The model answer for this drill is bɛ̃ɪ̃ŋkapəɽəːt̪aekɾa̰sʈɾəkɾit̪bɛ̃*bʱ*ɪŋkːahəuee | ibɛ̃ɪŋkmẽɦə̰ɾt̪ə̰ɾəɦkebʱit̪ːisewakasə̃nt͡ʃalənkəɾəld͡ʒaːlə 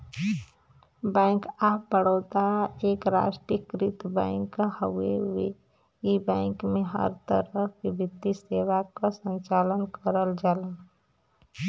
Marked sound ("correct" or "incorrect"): incorrect